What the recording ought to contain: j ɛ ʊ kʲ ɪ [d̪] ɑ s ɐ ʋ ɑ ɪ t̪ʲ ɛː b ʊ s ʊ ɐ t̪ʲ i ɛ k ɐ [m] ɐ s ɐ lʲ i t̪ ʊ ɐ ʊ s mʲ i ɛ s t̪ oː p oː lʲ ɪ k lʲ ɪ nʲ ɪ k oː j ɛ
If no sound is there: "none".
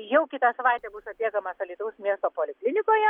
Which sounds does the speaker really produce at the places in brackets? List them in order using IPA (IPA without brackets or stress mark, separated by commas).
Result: t̪, m